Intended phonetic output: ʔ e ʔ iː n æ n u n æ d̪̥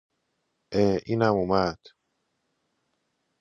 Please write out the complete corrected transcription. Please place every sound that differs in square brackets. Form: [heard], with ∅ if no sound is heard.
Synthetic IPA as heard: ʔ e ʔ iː n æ [m] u [m] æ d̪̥